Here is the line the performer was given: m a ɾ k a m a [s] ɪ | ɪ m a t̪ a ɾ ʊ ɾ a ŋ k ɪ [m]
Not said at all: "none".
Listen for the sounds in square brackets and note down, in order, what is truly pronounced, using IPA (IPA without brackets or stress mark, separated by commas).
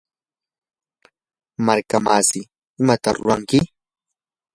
s, none